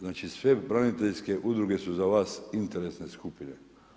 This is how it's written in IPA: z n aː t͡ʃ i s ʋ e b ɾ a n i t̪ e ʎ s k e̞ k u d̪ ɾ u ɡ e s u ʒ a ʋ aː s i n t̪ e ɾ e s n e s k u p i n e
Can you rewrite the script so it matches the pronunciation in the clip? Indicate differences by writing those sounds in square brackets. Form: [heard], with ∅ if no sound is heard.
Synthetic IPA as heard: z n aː t͡ʃ i s ʋ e b ɾ a n i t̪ e ʎ s k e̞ [ʔ] u d̪ ɾ u ɡ e s u [z] a ʋ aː s i n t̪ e ɾ e s n e s k u p i n e